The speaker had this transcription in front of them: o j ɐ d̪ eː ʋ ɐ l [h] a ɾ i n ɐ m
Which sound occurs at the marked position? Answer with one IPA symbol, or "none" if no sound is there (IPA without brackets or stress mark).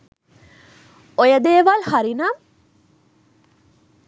h